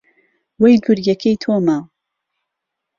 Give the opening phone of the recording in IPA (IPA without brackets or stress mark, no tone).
w